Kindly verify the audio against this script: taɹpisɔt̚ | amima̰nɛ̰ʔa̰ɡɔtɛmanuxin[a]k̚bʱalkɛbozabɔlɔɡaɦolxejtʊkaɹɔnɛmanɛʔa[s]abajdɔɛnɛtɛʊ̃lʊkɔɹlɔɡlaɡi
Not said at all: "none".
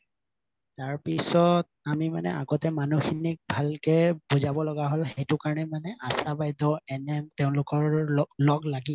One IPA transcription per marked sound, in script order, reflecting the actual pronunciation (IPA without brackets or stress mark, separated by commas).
i, s